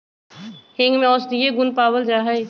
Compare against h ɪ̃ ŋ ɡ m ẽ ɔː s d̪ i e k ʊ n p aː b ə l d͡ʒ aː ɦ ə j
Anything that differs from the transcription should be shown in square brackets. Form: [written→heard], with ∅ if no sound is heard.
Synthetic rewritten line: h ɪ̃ ŋ ɡ m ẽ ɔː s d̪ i e [k→ɡ] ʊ n p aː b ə l d͡ʒ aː ɦ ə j